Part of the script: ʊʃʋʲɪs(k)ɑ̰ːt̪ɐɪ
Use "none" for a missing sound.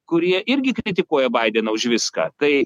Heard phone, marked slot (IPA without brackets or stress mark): k